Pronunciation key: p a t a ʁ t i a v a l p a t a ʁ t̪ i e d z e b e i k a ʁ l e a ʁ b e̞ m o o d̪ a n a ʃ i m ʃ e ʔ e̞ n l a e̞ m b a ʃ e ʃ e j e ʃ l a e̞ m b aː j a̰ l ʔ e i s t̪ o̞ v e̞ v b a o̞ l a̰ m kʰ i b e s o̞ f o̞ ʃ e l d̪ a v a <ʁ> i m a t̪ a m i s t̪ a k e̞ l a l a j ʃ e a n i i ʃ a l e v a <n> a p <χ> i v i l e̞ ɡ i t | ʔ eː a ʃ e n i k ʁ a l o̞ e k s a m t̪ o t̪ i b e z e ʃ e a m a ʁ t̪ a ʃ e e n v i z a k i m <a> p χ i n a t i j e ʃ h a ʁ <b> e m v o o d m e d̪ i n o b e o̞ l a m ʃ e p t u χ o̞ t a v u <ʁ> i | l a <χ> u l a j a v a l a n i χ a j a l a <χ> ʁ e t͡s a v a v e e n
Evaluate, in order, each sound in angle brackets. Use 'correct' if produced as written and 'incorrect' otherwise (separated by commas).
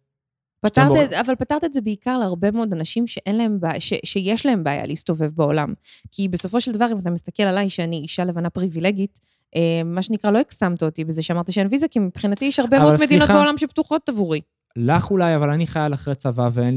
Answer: correct, correct, incorrect, incorrect, correct, correct, correct, correct